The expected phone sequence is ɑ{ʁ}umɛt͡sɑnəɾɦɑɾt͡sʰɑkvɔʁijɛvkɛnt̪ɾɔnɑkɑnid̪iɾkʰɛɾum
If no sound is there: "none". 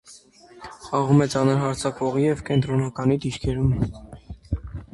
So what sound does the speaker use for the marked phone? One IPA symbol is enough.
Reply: ʁ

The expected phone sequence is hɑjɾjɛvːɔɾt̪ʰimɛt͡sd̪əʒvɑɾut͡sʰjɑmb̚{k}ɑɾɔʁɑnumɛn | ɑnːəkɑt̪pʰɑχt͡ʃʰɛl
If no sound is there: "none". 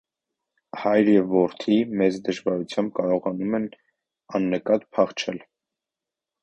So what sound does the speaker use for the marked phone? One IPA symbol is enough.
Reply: k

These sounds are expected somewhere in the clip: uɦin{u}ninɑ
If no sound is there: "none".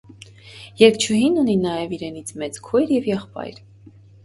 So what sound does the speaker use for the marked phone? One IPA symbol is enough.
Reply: u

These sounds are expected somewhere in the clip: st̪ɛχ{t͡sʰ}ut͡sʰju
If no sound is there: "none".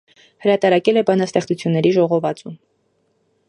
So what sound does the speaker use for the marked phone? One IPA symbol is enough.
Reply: t͡s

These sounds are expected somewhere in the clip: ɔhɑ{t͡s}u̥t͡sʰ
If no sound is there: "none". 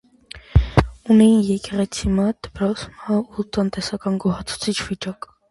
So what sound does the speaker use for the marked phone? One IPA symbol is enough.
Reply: t͡sʰ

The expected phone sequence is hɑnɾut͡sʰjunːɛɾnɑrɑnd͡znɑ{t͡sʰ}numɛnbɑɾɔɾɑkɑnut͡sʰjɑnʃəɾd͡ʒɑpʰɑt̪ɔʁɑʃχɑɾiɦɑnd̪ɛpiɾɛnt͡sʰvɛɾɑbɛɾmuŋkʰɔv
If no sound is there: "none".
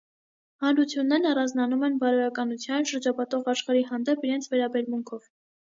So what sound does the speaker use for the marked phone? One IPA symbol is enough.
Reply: none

